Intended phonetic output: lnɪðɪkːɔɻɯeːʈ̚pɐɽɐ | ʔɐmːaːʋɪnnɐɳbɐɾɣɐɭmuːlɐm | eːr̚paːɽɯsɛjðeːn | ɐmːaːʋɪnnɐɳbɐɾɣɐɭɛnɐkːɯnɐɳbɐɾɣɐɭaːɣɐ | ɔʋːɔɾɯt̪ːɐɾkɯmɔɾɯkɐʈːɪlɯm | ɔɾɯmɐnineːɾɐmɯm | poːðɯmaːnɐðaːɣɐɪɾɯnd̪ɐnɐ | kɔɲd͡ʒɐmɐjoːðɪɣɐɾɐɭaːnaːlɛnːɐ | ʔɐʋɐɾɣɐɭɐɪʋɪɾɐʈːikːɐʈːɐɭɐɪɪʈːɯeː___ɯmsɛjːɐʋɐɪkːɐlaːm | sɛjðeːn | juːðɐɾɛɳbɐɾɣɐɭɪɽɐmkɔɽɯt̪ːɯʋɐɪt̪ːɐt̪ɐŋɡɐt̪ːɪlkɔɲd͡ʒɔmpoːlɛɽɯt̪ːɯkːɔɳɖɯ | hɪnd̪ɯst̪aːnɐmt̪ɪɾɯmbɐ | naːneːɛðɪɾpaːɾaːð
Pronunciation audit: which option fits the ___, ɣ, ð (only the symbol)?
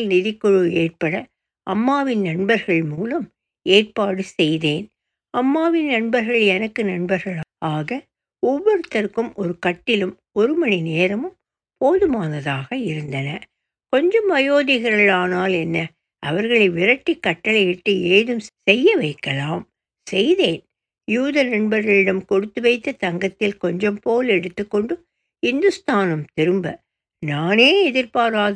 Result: ð